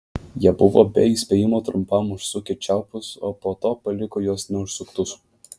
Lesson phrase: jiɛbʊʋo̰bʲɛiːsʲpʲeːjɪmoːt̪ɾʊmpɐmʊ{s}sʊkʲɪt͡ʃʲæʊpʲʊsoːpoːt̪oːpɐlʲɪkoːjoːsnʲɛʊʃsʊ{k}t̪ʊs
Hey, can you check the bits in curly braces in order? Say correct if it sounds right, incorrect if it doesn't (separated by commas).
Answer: incorrect, correct